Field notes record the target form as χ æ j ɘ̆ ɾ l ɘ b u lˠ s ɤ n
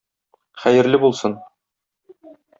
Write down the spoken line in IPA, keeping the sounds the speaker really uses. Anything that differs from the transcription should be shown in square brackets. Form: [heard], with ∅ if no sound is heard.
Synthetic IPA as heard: χ æ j ɘ̆ ɾ l ɘ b u lˠ s ɤ n